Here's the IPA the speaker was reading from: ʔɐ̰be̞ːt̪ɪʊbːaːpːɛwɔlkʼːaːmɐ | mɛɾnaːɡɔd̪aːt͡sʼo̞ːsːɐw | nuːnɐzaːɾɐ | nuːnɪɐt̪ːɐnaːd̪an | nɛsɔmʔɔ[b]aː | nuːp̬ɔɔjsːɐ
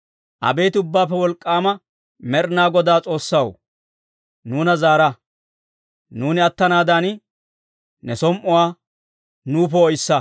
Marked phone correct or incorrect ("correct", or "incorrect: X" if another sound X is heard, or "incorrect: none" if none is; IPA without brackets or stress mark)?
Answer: incorrect: w